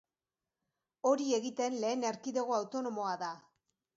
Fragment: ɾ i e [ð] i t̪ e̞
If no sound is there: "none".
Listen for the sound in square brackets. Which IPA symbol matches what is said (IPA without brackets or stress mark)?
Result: ɣ